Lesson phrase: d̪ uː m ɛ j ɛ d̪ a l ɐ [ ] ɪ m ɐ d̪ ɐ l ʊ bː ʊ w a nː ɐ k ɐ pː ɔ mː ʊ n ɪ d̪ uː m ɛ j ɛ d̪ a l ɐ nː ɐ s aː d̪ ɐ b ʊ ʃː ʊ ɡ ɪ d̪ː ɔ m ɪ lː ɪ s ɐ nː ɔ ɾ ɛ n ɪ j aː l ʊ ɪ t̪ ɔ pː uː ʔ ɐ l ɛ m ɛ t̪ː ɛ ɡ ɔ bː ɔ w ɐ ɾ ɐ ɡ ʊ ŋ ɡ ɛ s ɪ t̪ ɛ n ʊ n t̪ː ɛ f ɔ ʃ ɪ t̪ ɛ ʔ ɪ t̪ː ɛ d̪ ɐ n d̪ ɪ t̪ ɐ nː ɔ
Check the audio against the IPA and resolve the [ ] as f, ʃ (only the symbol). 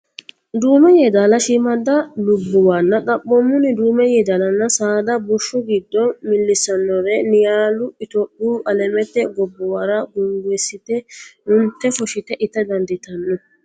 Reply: ʃ